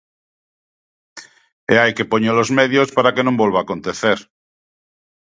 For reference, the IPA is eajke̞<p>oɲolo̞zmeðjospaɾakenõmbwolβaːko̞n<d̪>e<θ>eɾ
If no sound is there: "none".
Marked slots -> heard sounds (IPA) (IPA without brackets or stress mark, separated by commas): p, t̪, θ